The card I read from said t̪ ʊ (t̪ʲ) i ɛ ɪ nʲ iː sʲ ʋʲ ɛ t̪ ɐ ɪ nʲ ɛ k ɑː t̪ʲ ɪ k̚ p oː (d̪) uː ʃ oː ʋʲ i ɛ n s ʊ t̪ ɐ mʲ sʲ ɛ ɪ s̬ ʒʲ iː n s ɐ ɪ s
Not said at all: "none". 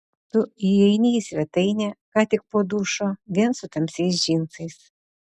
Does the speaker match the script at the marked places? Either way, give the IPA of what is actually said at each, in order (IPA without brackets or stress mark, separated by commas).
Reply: none, d̪